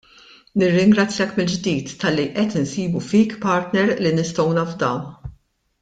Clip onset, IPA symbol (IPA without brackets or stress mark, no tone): n